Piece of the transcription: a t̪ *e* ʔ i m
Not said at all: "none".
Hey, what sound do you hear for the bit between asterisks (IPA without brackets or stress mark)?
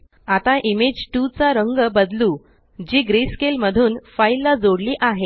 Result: a